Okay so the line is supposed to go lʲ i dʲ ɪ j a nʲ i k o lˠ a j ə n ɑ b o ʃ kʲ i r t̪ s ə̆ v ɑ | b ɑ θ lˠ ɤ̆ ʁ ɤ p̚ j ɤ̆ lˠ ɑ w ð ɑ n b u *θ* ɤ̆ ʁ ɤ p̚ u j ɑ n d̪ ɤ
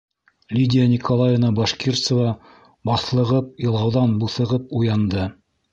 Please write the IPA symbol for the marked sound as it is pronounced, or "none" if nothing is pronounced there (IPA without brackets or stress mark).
θ